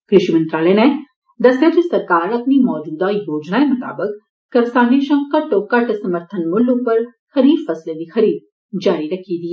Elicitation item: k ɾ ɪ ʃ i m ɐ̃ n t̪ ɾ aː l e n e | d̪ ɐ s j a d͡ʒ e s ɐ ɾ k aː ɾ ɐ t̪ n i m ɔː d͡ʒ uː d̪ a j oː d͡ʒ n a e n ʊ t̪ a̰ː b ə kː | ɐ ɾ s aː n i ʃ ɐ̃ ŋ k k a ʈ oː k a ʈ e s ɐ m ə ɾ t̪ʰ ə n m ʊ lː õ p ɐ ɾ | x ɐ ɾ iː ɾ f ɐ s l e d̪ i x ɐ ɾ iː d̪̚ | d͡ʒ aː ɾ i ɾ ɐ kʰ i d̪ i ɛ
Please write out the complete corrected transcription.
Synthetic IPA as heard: k ɾ ɪ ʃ i m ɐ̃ n t̪ ɾ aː l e n e | d̪ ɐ s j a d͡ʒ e s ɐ ɾ k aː ɾ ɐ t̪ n i m ɔː d͡ʒ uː d̪ a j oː d͡ʒ n a e m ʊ t̪ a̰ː b ə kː | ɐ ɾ s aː n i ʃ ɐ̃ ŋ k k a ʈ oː k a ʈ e s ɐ m ə ɾ t̪ʰ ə n m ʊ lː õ p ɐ ɾ | x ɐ ɾ iː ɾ f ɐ s l e d̪ i x ɐ ɾ iː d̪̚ | d͡ʒ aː ɾ i ɾ ɐ kʰ i d̪ i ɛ